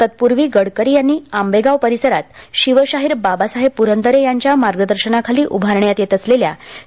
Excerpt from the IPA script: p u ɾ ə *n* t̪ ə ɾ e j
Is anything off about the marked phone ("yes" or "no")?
no